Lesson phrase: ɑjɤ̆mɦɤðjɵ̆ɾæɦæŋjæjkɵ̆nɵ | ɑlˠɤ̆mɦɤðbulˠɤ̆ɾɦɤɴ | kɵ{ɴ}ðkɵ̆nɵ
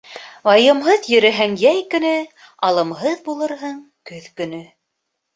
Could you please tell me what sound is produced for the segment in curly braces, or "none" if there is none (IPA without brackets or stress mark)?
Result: none